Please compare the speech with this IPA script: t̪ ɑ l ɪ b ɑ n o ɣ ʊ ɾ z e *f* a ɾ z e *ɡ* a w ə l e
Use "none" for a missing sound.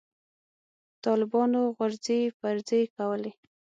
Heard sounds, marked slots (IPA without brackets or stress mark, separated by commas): f, k